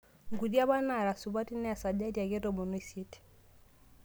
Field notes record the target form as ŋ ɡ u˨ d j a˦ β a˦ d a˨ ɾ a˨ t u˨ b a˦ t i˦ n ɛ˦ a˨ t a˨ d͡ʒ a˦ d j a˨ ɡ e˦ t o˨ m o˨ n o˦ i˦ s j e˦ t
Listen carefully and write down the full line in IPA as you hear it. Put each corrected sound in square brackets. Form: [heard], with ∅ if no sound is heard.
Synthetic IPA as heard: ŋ ɡ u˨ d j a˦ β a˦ [n] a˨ ɾ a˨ [s] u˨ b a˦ t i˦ n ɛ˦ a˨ [s] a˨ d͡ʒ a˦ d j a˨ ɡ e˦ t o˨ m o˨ n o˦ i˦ s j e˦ t